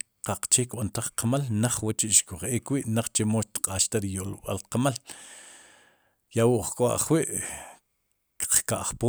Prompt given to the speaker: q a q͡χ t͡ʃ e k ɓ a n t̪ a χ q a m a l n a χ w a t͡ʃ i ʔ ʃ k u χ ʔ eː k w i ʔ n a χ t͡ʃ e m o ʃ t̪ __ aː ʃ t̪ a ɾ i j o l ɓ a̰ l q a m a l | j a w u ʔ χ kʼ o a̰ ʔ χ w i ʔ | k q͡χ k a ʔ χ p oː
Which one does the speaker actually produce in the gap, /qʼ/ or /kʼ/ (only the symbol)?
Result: qʼ